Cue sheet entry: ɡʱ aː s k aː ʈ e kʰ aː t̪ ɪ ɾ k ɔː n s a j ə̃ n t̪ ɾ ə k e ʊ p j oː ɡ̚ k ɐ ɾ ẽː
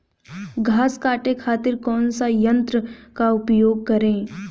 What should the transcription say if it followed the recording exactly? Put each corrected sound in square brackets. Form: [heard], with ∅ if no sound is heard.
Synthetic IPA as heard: ɡʱ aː s k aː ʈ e kʰ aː t̪ ɪ ɾ k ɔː n s a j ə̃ n t̪ ɾ ə k [a] ʊ p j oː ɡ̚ k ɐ ɾ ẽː

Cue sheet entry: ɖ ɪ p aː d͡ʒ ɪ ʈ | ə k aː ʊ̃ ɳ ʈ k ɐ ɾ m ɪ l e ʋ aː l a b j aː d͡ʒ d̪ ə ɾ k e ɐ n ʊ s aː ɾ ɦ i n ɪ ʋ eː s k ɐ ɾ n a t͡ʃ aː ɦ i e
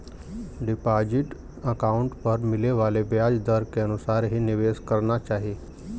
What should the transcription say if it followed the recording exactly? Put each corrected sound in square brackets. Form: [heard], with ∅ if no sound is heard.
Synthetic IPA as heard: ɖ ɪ p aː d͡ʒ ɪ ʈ | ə k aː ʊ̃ ɳ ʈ [p] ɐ ɾ m ɪ l e ʋ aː l [e] b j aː d͡ʒ d̪ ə ɾ k e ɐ n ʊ s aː ɾ ɦ i n ɪ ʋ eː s k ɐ ɾ n a t͡ʃ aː ɦ i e

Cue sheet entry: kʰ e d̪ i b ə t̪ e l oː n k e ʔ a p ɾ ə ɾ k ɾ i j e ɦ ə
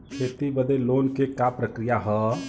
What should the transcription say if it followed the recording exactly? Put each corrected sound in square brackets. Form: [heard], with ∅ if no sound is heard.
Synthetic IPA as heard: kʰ e [t̪] i b ə [d̪] e l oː n k e [k] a p ɾ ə [∅] k ɾ i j [a] ɦ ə

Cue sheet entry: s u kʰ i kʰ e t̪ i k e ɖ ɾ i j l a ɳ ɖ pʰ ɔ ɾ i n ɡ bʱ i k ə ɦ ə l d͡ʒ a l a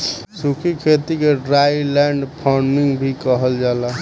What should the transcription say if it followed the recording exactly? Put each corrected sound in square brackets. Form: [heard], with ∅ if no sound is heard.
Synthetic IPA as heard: s u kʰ i kʰ e t̪ i k e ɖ ɾ [a] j l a ɳ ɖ pʰ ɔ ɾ i [ŋ] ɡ bʱ i k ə ɦ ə l d͡ʒ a l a

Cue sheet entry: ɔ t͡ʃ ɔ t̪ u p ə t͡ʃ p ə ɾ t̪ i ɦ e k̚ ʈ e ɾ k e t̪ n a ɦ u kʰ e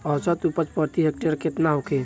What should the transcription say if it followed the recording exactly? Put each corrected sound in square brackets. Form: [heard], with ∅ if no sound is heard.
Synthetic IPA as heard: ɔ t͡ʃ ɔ t̪ u p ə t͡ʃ p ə ɾ t̪ i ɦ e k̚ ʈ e ɾ k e t̪ n a ɦ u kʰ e

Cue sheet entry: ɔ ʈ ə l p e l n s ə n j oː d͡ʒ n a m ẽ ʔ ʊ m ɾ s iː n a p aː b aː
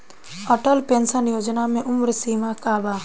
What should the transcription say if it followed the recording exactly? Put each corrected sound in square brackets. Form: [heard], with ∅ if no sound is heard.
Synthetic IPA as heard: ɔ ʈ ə l p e [∅] n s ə n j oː d͡ʒ n a m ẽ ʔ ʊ m ɾ s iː [m] a [k] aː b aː

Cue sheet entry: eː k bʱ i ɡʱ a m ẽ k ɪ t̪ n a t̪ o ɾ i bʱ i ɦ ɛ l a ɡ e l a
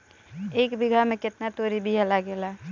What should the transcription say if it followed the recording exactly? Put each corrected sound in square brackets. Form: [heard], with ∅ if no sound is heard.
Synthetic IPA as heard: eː k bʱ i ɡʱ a m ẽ k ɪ t̪ n a t̪ o ɾ i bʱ i ɦ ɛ l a ɡ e l a

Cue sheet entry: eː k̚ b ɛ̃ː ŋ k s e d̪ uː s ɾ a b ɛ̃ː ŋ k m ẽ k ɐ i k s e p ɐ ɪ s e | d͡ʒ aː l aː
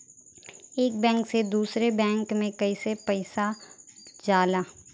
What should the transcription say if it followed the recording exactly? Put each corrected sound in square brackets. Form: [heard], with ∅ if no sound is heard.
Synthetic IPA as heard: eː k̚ b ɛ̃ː ŋ k s e d̪ uː s ɾ [e] b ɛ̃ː ŋ k m ẽ k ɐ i [∅] s e p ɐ ɪ s [a] | d͡ʒ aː l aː

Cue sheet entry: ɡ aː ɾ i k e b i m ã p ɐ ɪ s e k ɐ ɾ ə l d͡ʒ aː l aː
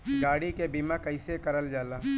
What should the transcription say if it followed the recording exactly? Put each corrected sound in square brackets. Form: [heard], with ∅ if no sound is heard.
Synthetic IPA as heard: ɡ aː [ɽ] i k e b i m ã [k] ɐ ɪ s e k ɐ ɾ ə l d͡ʒ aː l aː

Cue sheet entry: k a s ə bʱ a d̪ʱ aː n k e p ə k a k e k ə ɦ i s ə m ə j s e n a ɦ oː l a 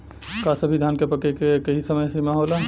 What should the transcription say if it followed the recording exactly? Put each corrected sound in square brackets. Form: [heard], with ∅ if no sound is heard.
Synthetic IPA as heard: k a s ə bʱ [i] d̪ʱ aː n k e p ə k [e] k e k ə ɦ i s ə m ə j s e [m] a ɦ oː l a

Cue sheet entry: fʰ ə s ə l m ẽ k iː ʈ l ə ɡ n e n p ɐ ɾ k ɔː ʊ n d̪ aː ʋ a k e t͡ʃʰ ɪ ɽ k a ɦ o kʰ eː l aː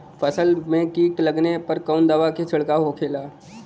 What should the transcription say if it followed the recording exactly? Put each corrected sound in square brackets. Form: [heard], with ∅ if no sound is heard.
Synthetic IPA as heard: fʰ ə s ə l m ẽ k iː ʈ l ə ɡ n e [∅] p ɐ ɾ k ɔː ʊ n d̪ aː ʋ a k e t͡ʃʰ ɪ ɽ k a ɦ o kʰ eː l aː

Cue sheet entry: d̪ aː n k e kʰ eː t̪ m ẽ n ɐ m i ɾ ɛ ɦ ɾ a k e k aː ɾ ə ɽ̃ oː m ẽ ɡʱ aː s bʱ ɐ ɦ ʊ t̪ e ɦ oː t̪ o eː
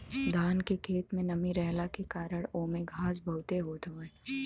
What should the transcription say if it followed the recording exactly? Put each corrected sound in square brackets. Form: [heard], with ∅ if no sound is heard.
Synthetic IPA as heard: d̪ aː n k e kʰ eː t̪ m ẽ n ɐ m i ɾ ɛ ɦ [l] a k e k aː ɾ ə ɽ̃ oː m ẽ ɡʱ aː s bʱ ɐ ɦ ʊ t̪ e ɦ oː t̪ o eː

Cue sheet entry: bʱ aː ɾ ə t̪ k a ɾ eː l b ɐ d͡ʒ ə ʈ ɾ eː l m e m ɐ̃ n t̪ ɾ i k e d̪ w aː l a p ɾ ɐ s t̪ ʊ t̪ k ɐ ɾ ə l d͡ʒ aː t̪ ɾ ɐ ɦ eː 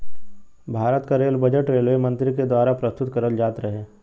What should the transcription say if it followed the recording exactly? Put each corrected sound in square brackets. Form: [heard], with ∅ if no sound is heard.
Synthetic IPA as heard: bʱ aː ɾ ə t̪ k a ɾ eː l b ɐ d͡ʒ ə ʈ ɾ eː l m e m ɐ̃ n t̪ ɾ i k e d̪ w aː [ɾ] a p ɾ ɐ s t̪ ʊ t̪ k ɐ ɾ ə l d͡ʒ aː t̪ ɾ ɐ ɦ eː

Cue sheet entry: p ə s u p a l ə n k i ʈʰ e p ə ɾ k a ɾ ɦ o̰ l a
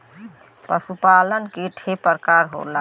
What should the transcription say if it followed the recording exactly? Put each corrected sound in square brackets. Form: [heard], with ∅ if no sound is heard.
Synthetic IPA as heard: p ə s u p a l ə n k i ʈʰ e p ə ɾ k a ɾ ɦ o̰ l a

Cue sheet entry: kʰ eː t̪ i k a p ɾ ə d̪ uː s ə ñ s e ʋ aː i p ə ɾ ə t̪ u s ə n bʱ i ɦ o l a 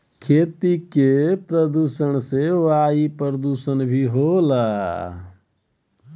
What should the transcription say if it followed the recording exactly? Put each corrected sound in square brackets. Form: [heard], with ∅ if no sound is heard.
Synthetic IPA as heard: kʰ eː t̪ i k [e] p ɾ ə d̪ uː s ə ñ s e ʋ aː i p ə ɾ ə [d̪] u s ə n bʱ i ɦ o l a

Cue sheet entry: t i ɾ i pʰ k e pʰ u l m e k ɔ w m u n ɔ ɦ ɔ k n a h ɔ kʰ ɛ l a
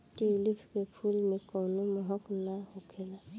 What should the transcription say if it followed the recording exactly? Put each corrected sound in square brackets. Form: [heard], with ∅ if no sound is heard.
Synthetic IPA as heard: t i [l] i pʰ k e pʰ u l m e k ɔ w [n] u [m] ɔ ɦ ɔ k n a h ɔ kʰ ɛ l a

